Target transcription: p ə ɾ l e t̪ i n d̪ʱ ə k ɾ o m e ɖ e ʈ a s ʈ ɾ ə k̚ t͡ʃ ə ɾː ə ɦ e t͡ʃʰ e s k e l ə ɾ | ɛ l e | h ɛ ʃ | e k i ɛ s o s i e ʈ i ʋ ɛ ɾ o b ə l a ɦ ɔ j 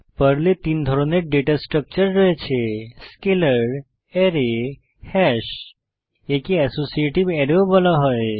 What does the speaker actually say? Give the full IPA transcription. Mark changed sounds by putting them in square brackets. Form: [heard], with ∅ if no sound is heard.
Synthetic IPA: p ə ɾ l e t̪ i n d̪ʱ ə [∅] ɾ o [n] e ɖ e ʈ a s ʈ ɾ ə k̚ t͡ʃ ə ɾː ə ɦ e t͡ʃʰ e s k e l ə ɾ | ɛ [ɾ] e | h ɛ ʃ | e k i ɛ s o s i e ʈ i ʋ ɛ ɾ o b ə l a ɦ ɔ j